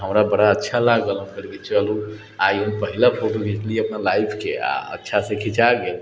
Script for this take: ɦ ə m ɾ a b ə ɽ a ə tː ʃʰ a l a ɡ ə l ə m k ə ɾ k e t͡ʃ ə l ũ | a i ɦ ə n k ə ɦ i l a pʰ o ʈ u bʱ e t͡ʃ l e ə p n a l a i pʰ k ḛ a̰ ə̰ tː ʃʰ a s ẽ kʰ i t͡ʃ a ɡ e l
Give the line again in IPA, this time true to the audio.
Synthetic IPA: ɦ ə m ɾ a b ə ɽ a ə tː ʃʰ a l a ɡ ə l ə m k ə ɾ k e t͡ʃ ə l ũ | a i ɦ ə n p ə ɦ i l a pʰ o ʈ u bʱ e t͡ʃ l i ə p n a l a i pʰ k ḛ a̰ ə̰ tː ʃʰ a s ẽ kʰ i t͡ʃ a ɡ e l